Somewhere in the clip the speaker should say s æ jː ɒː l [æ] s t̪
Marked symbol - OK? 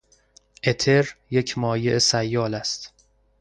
yes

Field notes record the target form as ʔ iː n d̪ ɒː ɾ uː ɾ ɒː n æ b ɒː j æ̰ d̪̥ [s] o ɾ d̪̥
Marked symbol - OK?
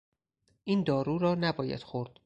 no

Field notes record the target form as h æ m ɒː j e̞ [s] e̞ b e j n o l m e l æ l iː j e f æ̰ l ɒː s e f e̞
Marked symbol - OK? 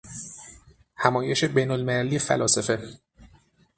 no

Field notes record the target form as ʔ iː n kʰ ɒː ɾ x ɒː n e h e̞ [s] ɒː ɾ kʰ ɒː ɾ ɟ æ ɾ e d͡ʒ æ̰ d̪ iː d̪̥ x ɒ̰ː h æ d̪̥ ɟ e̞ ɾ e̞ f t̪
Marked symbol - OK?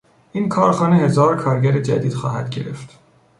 no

